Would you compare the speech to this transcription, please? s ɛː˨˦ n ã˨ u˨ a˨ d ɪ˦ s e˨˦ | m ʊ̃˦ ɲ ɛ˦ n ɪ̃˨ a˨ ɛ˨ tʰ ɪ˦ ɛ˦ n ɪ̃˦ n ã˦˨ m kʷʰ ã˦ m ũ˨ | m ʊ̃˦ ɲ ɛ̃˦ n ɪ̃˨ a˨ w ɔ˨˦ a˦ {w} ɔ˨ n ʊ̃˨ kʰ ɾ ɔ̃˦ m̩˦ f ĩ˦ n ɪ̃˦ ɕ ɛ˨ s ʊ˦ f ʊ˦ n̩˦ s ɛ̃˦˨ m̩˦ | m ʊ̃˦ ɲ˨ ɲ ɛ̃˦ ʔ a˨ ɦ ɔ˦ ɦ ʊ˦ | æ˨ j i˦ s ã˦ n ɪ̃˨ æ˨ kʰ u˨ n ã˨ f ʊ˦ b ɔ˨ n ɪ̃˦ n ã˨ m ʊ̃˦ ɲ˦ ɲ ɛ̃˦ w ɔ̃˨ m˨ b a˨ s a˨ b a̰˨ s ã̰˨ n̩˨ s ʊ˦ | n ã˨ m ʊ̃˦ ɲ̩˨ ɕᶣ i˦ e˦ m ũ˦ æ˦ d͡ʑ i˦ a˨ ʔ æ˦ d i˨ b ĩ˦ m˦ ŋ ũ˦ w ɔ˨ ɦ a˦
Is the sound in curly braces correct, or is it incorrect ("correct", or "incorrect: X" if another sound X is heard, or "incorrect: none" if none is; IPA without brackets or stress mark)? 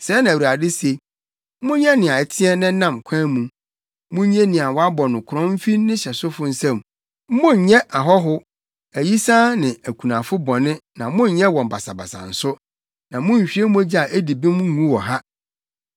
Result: incorrect: b